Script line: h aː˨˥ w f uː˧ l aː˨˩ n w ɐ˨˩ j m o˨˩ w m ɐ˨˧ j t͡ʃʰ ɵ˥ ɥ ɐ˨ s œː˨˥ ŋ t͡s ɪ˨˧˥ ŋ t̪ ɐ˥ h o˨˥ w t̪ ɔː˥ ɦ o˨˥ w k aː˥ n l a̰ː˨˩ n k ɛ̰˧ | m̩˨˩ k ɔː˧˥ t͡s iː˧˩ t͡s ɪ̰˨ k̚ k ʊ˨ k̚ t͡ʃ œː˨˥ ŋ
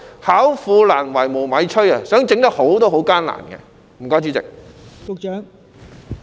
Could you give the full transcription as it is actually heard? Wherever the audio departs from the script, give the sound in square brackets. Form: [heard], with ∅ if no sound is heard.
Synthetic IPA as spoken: h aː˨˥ w f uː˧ l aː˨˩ n w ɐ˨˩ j m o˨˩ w m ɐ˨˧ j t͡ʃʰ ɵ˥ ɥ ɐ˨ s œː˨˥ ŋ t͡s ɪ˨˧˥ ŋ t̪ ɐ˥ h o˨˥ w t̪ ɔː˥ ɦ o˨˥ w k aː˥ n l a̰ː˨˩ n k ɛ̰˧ | m̩˨˩ k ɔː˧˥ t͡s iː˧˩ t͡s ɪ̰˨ k̚ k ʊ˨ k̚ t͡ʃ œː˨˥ ŋ